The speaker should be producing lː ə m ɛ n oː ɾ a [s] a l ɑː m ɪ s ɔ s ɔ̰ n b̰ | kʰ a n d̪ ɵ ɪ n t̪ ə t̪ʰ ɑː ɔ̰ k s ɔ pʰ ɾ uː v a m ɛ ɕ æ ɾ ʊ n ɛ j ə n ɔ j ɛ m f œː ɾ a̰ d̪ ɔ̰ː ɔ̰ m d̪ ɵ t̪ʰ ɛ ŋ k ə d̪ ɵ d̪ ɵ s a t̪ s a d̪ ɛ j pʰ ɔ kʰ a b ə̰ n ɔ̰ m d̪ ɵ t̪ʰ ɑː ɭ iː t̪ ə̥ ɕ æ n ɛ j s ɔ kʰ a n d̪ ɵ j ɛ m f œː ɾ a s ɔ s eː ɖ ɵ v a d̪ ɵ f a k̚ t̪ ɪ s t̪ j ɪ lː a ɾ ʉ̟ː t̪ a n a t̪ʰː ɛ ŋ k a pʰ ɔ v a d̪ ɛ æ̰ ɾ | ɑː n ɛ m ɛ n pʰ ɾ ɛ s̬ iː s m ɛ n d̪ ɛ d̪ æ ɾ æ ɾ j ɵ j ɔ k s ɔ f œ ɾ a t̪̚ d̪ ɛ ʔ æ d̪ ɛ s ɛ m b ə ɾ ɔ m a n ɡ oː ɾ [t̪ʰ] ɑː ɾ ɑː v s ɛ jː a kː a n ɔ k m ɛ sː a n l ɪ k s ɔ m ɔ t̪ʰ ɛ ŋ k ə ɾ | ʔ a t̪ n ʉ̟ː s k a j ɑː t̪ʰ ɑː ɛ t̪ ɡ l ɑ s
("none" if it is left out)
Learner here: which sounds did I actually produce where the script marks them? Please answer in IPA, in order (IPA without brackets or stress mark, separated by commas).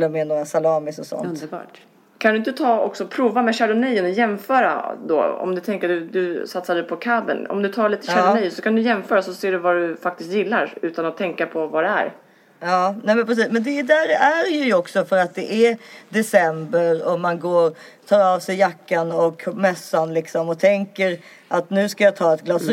s, t̪ʰ